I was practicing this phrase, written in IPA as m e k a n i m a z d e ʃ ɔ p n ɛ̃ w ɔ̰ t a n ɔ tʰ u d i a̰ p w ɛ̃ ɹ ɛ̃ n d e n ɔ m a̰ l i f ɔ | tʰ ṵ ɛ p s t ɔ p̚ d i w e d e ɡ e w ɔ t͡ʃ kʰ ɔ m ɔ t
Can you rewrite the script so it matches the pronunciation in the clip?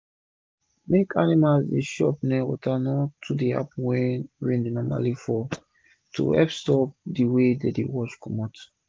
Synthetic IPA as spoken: m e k a n i m a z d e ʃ ɔ p n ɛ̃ w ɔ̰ t a n ɔ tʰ u d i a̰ p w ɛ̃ ɹ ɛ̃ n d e n ɔ m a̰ l i f ɔ | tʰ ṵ ɛ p s t ɔ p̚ d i w e d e d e w ɔ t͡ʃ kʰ ɔ m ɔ t